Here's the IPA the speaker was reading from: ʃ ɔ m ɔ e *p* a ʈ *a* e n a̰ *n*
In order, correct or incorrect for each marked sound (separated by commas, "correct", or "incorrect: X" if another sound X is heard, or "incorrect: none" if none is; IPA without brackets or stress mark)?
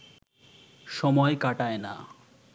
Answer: incorrect: k, correct, incorrect: none